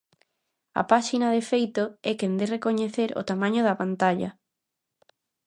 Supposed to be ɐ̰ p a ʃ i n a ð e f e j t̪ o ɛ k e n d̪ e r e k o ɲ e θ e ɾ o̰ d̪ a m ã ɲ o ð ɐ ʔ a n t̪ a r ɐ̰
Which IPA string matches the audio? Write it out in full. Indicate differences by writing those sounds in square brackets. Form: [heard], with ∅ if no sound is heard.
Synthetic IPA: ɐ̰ p a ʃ i n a ð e f e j t̪ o ɛ k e n d̪ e r e k o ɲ e θ e ɾ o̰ [t̪] a m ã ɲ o ð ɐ [p] a n t̪ a [ʎ] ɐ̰